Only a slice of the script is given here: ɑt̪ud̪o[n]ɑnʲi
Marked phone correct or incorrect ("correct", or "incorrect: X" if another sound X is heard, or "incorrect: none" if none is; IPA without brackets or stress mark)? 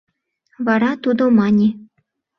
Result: incorrect: m